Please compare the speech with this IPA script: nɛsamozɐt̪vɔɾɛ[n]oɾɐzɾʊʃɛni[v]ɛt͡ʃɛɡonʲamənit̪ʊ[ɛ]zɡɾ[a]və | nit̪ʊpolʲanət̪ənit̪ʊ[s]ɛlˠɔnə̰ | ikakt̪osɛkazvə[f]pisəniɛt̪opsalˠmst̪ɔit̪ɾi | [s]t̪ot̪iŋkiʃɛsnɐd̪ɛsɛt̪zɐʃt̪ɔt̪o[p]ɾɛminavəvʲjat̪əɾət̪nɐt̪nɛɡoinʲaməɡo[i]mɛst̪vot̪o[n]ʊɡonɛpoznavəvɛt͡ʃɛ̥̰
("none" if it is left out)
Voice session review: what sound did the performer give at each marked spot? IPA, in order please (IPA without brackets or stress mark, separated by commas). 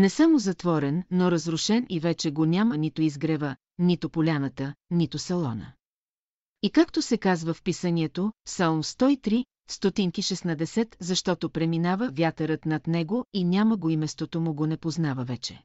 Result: nː, v, i, ɛ, s, f, s, p, i, m